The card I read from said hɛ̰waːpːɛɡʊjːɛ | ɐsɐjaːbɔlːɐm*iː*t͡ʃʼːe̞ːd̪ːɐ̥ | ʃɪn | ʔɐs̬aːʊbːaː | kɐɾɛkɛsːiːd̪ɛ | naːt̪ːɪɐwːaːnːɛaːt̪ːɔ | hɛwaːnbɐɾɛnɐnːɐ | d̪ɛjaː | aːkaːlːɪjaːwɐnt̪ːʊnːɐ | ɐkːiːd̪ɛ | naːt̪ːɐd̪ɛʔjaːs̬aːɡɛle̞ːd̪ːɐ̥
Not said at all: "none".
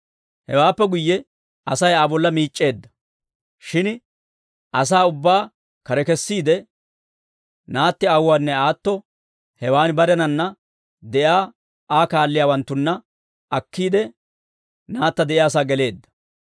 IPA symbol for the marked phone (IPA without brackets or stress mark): iː